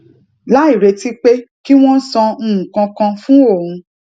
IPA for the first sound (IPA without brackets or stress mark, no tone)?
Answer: l